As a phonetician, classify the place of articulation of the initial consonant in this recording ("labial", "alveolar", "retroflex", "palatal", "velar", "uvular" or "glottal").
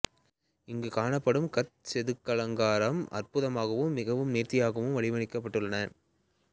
velar